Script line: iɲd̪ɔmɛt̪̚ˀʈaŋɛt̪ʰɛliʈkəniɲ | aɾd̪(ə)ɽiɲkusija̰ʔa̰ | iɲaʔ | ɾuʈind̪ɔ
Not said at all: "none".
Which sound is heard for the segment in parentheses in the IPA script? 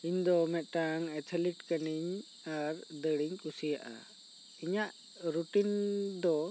ə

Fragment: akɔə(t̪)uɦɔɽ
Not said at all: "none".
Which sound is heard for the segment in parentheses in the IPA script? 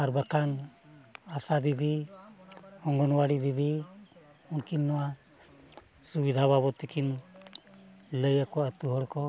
t̪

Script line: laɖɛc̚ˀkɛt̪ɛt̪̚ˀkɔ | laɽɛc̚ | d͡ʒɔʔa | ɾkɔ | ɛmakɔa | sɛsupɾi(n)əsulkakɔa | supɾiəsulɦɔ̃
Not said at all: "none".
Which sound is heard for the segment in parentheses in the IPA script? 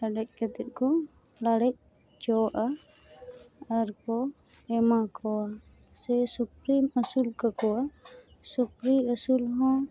m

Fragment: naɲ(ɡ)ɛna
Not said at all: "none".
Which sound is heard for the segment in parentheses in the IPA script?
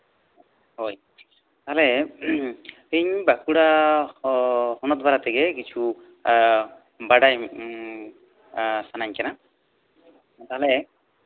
k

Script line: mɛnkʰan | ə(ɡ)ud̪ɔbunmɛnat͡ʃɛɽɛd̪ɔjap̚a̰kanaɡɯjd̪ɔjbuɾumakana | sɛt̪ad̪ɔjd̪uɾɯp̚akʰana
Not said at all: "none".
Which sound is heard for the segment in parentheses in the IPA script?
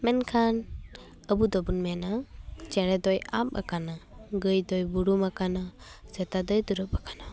b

